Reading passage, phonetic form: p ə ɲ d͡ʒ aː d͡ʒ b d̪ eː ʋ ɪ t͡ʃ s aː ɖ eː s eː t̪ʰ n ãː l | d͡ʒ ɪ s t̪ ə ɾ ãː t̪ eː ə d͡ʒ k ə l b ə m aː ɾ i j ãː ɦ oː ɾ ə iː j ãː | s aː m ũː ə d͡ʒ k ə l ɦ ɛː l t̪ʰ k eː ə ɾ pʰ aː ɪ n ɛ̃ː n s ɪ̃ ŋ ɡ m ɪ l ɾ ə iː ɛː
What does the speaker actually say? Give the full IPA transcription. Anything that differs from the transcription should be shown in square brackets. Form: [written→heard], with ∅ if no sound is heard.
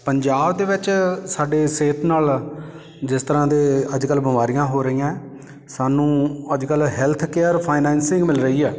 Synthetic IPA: p ə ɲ d͡ʒ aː [d͡ʒ→∅] b d̪ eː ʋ ɪ t͡ʃ s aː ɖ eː s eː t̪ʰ n [ãː→aː] l | d͡ʒ ɪ s t̪ ə ɾ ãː [t̪→d̪] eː ə d͡ʒ k ə l b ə m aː ɾ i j ãː ɦ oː ɾ ə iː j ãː | s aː [m→n] ũː ə d͡ʒ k ə l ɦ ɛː l t̪ʰ k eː ə ɾ pʰ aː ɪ n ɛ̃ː n s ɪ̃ ŋ ɡ m ɪ l ɾ ə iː ɛː